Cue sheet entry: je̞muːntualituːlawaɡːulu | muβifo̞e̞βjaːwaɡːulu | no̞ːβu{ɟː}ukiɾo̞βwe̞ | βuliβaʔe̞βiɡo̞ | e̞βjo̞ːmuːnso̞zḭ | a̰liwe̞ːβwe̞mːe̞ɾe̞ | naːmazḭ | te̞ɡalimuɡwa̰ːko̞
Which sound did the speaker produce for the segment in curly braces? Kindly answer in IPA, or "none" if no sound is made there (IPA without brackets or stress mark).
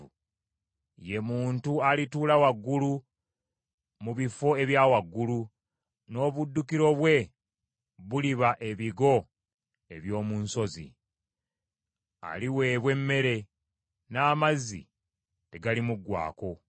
dː